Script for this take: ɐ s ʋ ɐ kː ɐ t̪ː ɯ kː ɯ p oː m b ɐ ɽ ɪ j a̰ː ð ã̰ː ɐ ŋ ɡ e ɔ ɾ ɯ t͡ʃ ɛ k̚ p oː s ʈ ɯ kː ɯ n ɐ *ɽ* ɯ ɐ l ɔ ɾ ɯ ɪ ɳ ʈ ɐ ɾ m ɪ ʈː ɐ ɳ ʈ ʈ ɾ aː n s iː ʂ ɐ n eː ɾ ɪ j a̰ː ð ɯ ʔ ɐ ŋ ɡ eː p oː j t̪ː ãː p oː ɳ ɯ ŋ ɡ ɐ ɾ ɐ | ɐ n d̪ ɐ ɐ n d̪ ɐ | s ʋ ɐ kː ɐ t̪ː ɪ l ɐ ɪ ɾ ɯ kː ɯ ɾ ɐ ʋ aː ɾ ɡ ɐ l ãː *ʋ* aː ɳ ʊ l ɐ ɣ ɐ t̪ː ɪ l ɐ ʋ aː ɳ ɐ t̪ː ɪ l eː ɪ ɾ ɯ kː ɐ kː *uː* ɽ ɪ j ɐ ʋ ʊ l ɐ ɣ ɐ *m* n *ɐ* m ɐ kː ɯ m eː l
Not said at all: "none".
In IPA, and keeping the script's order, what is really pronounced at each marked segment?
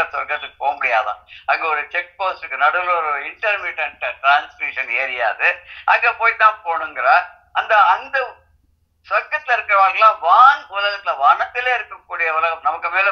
ɽ, ʋ, uː, m, ɐ

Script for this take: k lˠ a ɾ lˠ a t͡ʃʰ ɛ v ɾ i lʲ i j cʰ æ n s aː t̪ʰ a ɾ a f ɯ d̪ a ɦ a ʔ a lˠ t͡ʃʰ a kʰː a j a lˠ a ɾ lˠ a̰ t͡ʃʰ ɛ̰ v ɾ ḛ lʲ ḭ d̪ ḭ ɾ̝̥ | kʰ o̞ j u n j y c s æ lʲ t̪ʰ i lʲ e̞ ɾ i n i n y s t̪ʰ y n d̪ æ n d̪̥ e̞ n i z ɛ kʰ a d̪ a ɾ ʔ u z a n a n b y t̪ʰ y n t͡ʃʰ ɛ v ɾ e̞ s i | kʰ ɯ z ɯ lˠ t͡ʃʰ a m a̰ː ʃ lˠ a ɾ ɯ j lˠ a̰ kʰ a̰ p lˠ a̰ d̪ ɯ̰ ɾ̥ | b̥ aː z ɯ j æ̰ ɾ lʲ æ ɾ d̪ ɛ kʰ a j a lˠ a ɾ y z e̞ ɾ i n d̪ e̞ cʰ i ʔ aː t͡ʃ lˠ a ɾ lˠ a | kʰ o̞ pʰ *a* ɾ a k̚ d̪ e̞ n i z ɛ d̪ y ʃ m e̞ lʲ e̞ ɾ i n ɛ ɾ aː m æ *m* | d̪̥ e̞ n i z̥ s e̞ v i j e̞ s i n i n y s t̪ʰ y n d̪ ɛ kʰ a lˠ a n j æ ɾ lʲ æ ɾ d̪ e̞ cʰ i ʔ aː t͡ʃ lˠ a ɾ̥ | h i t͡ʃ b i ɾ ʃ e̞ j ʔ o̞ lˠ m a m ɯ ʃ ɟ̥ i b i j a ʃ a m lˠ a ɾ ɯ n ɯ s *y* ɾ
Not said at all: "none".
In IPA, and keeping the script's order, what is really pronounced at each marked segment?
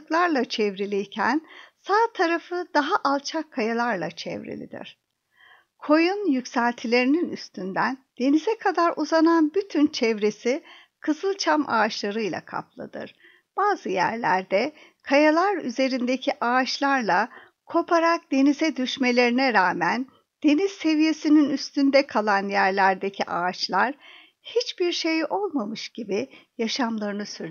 a, n, y

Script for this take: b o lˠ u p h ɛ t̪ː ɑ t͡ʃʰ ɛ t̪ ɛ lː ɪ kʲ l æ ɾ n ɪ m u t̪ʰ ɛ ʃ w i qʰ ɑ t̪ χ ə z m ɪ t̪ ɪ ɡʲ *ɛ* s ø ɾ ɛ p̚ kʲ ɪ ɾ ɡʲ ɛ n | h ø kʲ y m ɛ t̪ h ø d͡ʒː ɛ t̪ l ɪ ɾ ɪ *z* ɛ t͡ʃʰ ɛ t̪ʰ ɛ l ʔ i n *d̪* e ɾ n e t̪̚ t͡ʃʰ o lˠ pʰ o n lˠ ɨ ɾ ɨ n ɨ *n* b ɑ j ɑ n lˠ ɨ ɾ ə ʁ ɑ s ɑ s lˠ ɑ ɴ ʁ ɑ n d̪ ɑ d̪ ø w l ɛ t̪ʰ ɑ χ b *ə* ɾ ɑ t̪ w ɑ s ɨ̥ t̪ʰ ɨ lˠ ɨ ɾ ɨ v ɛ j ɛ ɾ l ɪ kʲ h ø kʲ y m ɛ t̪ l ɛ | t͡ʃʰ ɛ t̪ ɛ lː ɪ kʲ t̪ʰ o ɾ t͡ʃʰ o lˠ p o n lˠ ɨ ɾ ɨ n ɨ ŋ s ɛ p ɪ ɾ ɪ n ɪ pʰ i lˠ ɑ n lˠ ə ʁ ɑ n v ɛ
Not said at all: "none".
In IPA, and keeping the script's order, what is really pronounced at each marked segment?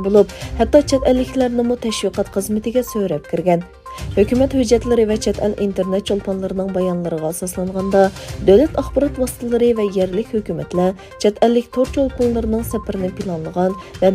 ɛ, v, t̪, ŋ, ɑ

